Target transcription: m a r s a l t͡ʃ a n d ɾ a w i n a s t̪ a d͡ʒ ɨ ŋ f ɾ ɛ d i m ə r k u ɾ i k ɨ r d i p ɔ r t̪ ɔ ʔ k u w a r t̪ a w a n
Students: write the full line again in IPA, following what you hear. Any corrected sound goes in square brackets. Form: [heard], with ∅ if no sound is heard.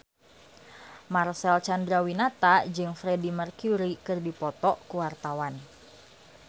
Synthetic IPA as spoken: m a r s [ɛ] l t͡ʃ a n d ɾ a w i n a [∅] t̪ a d͡ʒ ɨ ŋ f ɾ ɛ d i m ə r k u ɾ i k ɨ r d i p ɔ [∅] t̪ ɔ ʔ k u w a r t̪ a w a n